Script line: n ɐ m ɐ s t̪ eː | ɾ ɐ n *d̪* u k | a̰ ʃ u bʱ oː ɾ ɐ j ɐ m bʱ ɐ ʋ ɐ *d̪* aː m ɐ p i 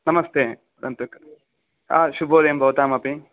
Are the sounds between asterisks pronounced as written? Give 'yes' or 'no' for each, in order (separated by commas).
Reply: no, no